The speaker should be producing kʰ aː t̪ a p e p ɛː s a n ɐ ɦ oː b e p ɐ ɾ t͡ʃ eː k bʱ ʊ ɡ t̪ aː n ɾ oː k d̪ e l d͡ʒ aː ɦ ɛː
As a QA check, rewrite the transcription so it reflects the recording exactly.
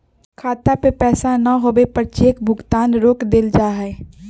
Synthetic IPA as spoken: kʰ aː t̪ a p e p ɛː s a n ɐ ɦ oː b e p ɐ ɾ t͡ʃ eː k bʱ ʊ ɡ t̪ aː n ɾ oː k d̪ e l d͡ʒ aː ɦ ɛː